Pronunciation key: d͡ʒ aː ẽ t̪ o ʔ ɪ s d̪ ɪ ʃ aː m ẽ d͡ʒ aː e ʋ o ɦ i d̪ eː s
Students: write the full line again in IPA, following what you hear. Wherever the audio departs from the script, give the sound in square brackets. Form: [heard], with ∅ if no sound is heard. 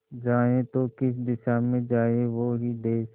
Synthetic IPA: d͡ʒ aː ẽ t̪ o [k] ɪ s d̪ ɪ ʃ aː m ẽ d͡ʒ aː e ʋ o ɦ i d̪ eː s